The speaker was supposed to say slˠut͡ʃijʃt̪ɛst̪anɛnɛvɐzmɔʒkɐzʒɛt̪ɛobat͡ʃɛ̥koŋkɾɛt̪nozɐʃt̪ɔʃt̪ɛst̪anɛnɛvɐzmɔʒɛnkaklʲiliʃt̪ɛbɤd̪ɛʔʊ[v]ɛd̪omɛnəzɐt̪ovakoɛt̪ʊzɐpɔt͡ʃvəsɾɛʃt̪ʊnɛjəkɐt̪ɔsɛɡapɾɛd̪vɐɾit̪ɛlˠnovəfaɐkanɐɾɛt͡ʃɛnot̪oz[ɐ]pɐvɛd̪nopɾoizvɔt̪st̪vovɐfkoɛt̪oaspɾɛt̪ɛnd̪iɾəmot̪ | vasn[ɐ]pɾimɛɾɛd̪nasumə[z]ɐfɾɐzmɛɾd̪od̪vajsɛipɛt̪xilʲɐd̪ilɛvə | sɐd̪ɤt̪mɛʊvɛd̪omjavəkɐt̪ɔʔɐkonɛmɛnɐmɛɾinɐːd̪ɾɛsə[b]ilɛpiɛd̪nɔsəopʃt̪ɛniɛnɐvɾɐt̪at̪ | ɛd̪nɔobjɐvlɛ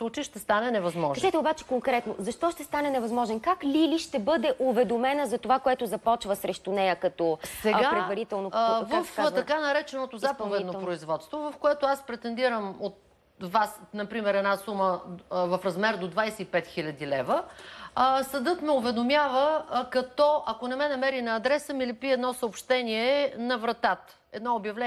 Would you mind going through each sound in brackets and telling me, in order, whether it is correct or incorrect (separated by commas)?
correct, incorrect, correct, incorrect, incorrect